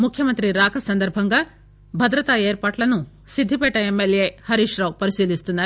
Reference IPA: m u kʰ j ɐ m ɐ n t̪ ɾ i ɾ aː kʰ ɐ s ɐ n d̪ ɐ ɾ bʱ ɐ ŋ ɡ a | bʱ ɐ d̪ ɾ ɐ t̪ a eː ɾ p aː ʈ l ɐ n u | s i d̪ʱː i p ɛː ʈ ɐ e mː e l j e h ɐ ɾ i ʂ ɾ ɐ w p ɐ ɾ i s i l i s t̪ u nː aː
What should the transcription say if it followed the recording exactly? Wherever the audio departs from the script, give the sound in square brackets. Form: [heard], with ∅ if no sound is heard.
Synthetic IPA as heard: m u kʰ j ɐ m ɐ n t̪ ɾ i ɾ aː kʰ ɐ s ɐ n d̪ ɐ ɾ bʱ ɐ ŋ ɡ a | bʱ ɐ d̪ ɾ ɐ t̪ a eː ɾ p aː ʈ l ɐ n u | s i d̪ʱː i p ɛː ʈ ɐ e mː e l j e h ɐ ɾ i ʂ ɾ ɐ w p ɐ ɾ i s [iː] l i s t̪ u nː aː